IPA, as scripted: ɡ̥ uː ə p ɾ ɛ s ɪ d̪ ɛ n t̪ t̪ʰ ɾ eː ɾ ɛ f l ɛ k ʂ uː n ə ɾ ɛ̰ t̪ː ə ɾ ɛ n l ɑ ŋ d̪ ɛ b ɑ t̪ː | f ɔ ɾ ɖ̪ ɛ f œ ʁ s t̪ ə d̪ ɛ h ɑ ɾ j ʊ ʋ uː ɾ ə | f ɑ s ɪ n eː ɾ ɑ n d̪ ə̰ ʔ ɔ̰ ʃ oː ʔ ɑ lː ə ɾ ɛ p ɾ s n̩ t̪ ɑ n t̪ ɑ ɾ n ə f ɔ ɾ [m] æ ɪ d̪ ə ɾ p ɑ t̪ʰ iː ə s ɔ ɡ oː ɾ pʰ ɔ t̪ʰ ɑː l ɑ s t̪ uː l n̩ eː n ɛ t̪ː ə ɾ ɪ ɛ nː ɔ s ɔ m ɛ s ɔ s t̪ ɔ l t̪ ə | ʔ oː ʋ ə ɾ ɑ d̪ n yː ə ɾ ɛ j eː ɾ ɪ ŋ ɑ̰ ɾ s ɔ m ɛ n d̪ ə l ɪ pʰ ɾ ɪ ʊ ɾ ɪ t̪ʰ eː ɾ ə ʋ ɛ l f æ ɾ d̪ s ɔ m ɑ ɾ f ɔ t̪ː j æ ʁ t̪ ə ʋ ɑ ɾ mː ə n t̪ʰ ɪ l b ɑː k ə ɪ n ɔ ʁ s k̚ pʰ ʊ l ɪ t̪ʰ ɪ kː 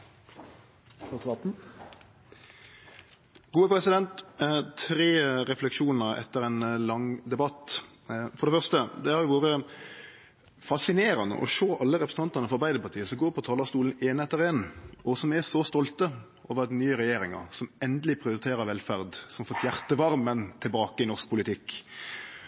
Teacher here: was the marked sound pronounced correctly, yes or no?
no